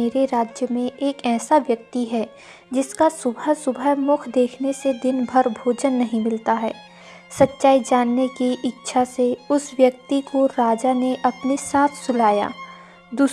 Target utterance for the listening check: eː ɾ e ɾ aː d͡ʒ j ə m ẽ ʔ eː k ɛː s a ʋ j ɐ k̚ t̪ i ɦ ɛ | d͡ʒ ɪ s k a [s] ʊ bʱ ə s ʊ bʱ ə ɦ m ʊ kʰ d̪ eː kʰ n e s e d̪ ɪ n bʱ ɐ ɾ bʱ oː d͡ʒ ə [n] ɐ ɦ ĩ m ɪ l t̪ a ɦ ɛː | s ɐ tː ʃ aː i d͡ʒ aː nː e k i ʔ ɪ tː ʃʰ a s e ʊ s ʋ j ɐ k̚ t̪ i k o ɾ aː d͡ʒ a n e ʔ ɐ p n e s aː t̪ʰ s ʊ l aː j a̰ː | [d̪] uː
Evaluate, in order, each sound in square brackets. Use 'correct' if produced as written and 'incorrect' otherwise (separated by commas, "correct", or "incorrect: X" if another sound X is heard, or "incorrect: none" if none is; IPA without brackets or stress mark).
correct, incorrect: nː, correct